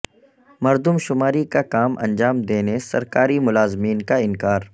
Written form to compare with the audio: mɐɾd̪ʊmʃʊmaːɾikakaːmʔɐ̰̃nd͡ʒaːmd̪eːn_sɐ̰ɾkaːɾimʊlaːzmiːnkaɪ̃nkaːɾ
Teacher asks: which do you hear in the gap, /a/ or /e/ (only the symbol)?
e